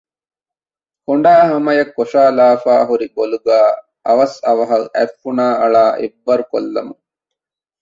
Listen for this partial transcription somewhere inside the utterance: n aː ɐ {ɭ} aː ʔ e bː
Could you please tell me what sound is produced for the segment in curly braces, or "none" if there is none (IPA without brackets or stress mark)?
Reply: ɭ